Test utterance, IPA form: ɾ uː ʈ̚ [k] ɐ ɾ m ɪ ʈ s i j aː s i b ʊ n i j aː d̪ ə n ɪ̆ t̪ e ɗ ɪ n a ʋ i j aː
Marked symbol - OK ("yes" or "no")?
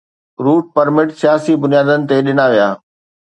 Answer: no